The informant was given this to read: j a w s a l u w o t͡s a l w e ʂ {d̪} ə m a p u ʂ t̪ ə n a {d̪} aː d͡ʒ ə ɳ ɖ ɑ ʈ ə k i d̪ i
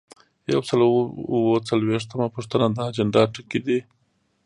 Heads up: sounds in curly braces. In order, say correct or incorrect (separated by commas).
incorrect, correct